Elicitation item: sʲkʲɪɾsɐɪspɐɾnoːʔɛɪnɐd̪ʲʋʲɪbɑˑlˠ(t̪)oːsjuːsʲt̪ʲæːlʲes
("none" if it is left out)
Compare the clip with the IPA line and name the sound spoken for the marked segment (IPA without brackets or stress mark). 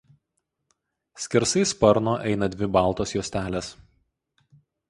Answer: t̪